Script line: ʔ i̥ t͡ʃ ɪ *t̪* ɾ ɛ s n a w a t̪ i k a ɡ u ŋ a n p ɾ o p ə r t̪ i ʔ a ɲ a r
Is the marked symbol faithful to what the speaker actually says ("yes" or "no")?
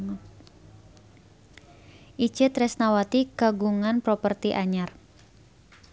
yes